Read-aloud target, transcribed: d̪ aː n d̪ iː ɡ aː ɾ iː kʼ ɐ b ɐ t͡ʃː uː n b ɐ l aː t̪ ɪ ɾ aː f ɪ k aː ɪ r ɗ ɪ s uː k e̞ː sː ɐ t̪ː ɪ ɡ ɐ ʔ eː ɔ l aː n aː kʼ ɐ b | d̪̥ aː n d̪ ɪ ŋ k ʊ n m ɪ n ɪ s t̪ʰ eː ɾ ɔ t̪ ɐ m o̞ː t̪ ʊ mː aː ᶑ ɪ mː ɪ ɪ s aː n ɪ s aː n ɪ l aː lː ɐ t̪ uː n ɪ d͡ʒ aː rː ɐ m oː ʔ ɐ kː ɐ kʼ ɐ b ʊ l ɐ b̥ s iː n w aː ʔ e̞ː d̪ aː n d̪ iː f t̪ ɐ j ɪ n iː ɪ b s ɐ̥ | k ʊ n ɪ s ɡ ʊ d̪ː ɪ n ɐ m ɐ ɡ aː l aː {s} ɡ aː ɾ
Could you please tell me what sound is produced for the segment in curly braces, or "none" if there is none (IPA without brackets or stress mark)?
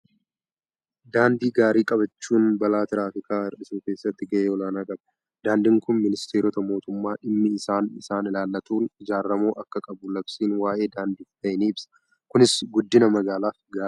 f